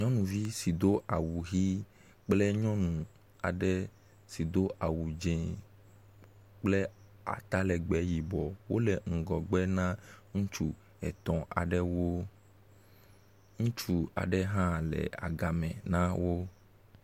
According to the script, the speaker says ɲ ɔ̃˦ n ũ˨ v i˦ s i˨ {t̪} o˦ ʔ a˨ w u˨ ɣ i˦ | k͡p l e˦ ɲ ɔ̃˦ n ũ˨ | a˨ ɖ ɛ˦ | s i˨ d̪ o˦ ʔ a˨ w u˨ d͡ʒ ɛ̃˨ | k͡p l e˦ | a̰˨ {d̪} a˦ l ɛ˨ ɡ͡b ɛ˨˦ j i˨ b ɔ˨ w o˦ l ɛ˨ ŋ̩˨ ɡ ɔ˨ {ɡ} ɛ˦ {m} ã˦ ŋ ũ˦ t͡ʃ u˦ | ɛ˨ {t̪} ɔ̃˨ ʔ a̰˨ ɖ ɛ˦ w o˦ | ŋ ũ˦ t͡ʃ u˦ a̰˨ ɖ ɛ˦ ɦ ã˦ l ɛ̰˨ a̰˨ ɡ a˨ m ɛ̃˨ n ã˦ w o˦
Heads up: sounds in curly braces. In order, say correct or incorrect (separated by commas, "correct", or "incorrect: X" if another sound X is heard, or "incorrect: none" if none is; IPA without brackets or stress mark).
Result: incorrect: d̪, incorrect: t̪, incorrect: ɡ͡b, incorrect: n, correct